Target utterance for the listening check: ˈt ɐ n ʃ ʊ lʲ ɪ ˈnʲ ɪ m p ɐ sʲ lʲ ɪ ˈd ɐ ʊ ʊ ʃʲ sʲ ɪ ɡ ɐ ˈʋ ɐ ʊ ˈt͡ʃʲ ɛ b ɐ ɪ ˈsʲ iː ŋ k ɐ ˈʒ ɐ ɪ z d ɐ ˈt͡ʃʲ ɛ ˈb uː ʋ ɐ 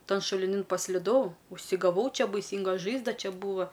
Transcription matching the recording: ˈt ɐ n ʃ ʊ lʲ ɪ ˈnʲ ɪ n p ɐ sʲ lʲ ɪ ˈd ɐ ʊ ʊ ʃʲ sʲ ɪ ɡ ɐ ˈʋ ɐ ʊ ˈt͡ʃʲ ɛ b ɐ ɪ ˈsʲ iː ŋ ɡ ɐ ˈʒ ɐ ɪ z d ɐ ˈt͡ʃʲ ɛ ˈb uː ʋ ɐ